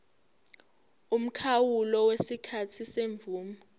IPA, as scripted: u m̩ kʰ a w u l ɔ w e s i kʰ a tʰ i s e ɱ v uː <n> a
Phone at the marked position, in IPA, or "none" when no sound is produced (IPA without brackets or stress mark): m